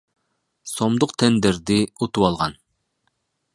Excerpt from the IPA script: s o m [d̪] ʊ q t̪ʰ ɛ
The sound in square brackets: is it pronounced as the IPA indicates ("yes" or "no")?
yes